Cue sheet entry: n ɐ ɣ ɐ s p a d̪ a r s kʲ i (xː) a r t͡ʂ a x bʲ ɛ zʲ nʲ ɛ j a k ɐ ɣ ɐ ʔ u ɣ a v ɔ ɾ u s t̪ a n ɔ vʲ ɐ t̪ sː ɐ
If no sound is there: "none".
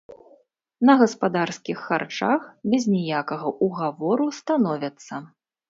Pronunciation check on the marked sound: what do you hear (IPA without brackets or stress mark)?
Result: xː